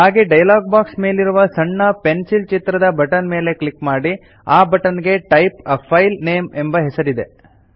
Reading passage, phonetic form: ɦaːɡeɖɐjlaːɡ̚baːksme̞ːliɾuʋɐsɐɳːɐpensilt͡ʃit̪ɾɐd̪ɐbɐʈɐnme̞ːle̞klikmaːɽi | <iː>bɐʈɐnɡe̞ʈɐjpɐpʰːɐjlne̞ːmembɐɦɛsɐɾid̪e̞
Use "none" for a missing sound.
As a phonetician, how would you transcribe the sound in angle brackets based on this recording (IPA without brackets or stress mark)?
aː